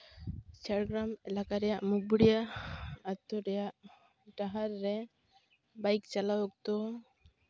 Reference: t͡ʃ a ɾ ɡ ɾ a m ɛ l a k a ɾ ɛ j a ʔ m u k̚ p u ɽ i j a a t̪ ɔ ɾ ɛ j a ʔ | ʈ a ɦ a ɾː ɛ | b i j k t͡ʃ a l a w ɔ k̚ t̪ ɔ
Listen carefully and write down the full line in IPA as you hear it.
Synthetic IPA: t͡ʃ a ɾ ɡ ɾ a m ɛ l a k a ɾ ɛ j a ʔ m u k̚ b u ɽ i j a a t̪ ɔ ɾ ɛ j a ʔ | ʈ a ɦ a ɾː ɛ | b a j k t͡ʃ a l a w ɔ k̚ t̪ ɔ